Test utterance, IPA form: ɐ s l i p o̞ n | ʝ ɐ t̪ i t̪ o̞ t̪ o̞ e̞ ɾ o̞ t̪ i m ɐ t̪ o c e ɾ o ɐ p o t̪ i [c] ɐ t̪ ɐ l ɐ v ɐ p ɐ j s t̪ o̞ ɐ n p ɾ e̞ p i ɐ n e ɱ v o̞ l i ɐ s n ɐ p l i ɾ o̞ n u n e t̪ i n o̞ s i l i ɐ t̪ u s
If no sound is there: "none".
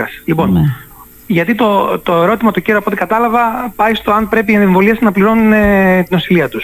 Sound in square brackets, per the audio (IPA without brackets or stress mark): k